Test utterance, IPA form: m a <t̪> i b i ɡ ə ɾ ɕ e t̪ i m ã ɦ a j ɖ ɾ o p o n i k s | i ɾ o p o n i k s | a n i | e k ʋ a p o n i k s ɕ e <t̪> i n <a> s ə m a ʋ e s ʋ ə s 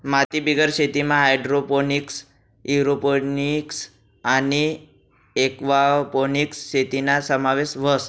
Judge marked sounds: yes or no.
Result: yes, yes, yes

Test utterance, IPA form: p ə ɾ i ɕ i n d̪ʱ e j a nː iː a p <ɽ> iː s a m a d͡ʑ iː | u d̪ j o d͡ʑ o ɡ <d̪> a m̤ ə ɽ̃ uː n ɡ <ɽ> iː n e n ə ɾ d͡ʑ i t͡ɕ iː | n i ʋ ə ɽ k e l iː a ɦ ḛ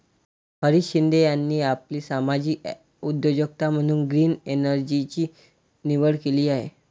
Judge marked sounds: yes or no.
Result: no, no, no

